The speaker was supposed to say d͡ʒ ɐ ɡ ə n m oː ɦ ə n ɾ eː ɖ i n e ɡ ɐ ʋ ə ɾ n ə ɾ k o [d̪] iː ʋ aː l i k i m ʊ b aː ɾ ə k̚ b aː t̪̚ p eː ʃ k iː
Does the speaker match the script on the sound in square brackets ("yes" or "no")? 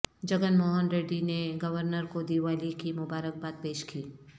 yes